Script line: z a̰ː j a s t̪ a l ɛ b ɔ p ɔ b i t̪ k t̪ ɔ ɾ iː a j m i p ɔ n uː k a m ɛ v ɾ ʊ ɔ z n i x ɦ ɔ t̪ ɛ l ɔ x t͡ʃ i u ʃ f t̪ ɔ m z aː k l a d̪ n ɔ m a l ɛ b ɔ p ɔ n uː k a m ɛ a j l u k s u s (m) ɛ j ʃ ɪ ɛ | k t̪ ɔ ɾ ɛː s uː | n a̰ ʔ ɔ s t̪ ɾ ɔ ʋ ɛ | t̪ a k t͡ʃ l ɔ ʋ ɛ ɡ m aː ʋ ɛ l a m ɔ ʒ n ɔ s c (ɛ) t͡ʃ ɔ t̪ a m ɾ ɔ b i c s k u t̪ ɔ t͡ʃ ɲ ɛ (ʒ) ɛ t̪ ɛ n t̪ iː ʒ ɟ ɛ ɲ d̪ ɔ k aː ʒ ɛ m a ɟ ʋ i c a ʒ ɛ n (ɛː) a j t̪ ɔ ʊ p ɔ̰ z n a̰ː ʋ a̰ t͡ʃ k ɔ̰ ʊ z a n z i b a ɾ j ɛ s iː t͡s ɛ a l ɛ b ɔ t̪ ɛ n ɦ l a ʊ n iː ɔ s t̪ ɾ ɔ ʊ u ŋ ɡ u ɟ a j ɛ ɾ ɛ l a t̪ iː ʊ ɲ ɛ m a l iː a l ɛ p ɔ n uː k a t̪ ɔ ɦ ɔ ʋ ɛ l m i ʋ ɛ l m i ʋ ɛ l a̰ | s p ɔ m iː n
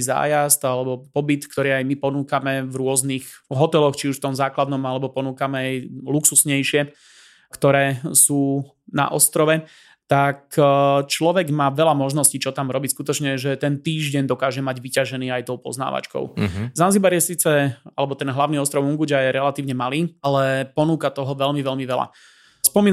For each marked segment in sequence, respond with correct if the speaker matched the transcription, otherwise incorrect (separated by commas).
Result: incorrect, incorrect, correct, incorrect